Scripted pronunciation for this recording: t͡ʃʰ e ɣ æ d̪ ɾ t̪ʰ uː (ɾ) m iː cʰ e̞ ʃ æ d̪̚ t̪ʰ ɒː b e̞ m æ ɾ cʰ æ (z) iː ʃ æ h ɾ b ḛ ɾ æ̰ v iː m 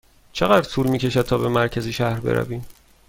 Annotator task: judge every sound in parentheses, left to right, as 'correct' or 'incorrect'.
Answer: incorrect: l, correct

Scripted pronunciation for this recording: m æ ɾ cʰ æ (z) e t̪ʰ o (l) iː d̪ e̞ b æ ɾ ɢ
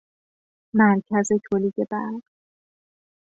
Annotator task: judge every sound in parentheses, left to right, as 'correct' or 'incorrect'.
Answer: correct, correct

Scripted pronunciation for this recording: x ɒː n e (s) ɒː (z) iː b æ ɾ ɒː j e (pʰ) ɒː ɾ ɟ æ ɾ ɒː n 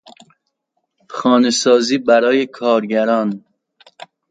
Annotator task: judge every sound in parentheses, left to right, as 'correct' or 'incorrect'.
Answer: correct, correct, incorrect: kʰ

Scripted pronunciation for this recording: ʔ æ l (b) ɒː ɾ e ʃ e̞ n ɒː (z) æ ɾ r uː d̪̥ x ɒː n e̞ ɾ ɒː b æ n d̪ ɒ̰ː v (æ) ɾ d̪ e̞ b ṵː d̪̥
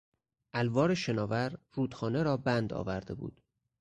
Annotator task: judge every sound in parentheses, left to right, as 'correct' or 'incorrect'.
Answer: incorrect: v, incorrect: v, correct

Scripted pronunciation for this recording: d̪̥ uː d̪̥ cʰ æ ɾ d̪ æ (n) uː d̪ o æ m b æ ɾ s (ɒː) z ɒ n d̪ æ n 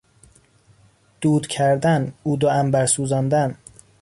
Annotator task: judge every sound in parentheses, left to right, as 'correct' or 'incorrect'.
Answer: correct, incorrect: uː

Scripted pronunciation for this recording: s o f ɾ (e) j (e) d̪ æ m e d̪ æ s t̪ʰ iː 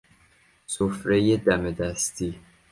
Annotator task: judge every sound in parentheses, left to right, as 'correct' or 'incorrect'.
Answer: correct, correct

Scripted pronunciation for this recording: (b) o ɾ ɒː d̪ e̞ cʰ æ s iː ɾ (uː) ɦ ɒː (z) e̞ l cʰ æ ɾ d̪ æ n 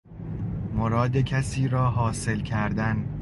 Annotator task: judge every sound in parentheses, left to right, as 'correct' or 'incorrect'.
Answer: incorrect: m, incorrect: ɒː, incorrect: s

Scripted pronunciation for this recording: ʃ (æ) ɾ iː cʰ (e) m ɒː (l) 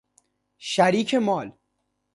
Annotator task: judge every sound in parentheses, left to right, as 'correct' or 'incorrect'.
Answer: correct, correct, correct

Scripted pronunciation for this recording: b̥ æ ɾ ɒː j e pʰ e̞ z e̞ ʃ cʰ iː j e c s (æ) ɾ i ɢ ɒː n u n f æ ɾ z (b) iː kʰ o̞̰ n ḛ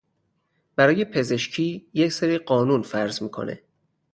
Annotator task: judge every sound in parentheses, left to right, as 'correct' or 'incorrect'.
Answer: incorrect: e, incorrect: m

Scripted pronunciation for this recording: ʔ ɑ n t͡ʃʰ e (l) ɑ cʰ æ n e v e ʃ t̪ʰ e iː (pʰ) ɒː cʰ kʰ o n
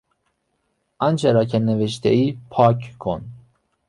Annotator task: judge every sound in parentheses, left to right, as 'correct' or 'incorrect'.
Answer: incorrect: ɾ, correct

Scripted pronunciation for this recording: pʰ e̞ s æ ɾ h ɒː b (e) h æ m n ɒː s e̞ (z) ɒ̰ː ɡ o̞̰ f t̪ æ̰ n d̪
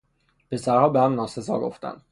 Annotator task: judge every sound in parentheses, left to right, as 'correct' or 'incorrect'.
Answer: correct, correct

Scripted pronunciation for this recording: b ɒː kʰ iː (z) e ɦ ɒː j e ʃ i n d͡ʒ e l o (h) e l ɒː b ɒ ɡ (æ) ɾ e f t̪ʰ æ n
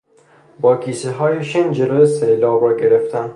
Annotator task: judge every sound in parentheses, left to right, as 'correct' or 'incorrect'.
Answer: incorrect: s, incorrect: s, incorrect: e

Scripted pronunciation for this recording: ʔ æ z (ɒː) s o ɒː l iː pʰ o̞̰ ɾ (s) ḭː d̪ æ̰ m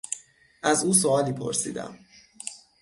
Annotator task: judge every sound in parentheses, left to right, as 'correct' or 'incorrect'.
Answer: incorrect: uː, correct

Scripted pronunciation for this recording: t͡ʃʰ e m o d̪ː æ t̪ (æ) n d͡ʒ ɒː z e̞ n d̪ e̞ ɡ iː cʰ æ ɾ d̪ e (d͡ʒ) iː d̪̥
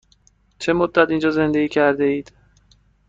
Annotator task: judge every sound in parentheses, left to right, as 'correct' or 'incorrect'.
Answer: incorrect: i, incorrect: none

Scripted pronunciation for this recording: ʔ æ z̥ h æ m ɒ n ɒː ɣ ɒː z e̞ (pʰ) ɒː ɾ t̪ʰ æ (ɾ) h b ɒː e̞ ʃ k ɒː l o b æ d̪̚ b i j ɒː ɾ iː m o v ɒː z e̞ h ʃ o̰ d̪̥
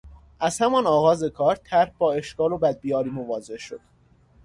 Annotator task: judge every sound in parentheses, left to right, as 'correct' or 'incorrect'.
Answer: incorrect: kʰ, correct

